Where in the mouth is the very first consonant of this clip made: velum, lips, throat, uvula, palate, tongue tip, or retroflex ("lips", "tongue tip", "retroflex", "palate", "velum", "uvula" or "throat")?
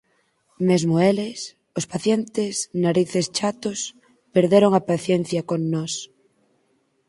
lips